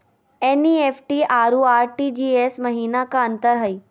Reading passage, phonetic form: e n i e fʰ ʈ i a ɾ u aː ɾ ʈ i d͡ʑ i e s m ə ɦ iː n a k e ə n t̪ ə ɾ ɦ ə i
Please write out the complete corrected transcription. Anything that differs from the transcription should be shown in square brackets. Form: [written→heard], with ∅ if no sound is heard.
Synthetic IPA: e n i e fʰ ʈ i a ɾ u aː ɾ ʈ i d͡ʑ i e s m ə ɦ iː n a k [e→a] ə n t̪ ə ɾ ɦ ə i